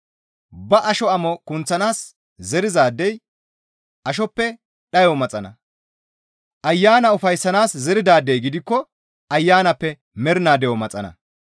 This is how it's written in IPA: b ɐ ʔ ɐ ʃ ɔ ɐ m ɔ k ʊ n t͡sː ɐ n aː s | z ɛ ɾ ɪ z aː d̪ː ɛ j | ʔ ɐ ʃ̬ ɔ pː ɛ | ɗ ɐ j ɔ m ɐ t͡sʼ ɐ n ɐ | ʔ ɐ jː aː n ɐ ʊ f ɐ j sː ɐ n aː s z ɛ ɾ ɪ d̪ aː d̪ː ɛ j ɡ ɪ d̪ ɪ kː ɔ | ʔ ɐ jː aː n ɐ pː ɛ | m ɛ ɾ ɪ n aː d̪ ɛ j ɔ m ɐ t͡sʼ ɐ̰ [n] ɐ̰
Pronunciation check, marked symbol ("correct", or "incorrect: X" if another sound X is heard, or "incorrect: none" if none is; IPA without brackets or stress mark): correct